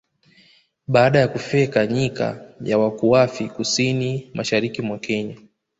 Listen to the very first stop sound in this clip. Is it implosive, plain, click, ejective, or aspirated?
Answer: implosive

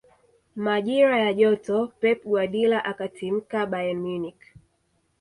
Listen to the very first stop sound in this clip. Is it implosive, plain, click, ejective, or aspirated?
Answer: implosive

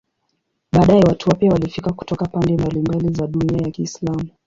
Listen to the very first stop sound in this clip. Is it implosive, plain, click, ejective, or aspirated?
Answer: implosive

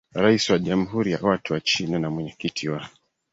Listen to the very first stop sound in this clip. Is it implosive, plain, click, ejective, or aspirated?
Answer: implosive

